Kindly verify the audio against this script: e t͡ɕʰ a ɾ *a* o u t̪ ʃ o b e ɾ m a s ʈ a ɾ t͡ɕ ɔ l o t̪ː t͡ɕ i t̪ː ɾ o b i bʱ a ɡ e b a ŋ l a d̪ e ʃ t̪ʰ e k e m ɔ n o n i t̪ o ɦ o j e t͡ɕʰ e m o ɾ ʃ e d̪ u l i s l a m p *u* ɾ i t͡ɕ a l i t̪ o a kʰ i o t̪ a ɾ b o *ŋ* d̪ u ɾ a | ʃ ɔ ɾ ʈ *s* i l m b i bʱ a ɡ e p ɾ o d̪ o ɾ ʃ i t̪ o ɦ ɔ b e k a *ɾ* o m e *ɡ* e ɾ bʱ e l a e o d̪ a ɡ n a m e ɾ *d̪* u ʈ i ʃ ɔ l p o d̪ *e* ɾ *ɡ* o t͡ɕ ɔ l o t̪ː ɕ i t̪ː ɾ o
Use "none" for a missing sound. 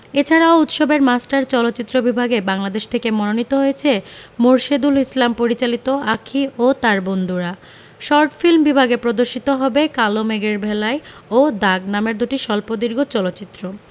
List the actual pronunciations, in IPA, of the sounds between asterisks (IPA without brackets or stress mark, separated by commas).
a, o, n, f, l, ɡ, d̪, i, ɡ